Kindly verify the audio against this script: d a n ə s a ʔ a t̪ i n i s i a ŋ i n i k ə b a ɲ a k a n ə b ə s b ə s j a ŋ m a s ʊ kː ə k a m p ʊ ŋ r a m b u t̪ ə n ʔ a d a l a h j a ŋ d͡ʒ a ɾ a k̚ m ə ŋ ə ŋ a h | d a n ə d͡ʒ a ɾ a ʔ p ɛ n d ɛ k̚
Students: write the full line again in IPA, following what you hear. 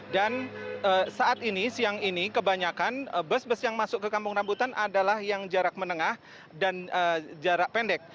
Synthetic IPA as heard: d a n ə s a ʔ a t̪ i n i s i a ŋ i n i k ə b a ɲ a k a n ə b ə s b ə s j a ŋ m a s ʊ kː ə k a m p ʊ ŋ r a m b u t̪ a n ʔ a d a l a h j a ŋ d͡ʒ a ɾ a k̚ m ə n ə ŋ a h | d a n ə d͡ʒ a ɾ a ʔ p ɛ n d ɛ k̚